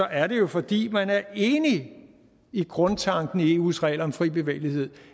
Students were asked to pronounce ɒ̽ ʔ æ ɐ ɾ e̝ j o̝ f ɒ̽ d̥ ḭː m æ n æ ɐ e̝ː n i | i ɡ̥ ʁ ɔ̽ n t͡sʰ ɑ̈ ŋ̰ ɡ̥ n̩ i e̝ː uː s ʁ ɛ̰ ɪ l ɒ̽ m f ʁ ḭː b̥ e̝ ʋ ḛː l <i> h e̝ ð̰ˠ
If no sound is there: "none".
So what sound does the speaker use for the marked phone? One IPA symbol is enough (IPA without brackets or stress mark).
i